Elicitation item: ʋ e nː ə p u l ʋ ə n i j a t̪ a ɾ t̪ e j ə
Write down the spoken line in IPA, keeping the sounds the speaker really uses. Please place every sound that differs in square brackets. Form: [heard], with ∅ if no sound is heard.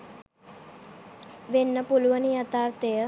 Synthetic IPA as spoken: ʋ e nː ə p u l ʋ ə n i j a t̪ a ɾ t̪ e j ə